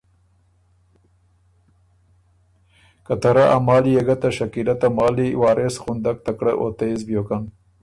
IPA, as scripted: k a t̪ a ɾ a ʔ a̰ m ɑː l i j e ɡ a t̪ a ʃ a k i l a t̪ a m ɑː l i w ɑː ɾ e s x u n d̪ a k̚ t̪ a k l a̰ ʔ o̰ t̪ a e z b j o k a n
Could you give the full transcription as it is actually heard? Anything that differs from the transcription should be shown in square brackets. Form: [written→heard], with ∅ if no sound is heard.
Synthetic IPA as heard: k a t̪ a ɾ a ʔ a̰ m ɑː l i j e ɡ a t̪ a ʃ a k i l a t̪ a m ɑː l i w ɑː ɾ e s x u n d̪ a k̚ t̪ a k [l→ɽ] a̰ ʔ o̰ t̪ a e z b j o k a n